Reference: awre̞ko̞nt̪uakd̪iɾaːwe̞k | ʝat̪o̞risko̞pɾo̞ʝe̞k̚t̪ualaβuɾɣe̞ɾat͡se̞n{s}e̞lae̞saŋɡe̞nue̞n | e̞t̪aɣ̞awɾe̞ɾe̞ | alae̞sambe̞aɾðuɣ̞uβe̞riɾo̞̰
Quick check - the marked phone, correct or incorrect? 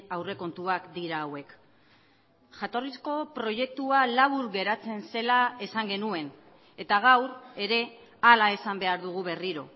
correct